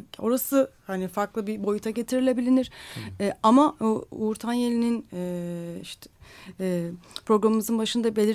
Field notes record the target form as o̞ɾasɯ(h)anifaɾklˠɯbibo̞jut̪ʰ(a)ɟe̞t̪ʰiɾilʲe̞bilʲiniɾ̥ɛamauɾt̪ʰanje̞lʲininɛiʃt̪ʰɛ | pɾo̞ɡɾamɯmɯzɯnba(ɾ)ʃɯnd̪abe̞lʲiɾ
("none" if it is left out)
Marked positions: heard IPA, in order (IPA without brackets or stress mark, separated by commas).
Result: h, a, none